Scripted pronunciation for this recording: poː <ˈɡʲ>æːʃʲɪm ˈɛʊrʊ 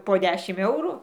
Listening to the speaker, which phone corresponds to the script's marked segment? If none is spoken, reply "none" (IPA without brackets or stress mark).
dʲ